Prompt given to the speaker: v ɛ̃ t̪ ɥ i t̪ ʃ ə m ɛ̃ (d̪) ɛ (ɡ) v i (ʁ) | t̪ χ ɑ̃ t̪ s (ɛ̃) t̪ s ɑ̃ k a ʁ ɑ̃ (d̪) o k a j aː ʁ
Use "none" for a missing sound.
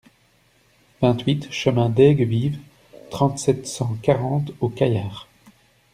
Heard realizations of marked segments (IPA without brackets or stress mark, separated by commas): d̪, ɡ, v, ɛ, t̪